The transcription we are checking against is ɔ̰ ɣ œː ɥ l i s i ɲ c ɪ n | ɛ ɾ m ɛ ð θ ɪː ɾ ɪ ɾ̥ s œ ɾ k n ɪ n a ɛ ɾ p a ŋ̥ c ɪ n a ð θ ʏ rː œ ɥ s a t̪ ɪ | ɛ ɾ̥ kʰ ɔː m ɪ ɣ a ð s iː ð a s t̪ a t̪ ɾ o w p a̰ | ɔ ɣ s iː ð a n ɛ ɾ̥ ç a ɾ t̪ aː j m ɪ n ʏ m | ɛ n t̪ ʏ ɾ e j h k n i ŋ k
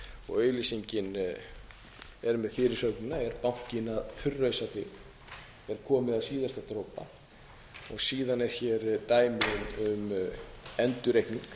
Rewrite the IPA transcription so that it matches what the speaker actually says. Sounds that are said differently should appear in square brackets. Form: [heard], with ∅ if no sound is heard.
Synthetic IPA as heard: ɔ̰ ɣ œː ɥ l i s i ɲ c ɪ n | ɛ ɾ m ɛ ð [f] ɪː ɾ ɪ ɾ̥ s œ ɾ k n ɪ n a ɛ ɾ p a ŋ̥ c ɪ n a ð θ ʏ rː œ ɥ s a t̪ ɪ | ɛ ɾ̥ kʰ ɔː m ɪ [ð] a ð s iː ð a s t̪ a t̪ ɾ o w p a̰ | ɔ ɣ s iː ð a n ɛ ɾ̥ ç [ɛ] ɾ t̪ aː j m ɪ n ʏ m | ɛ n t̪ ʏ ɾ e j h k n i ŋ k